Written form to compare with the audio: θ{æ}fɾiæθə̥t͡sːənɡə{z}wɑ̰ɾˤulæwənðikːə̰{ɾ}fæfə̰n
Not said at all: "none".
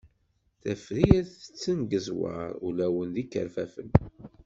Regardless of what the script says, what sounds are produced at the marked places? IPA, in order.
æ, z, ɾ

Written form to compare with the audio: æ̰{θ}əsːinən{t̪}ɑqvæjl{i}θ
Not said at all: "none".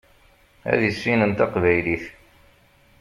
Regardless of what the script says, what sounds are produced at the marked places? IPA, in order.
ð, t̪, i

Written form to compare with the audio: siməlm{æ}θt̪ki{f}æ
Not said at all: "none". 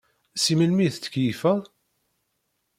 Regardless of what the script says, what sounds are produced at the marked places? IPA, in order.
i, f

